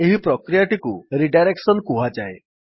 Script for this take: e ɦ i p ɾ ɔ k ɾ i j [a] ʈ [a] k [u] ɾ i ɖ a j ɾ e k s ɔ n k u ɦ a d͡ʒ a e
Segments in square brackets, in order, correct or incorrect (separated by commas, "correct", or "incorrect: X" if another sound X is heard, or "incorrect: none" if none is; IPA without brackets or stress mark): correct, incorrect: i, correct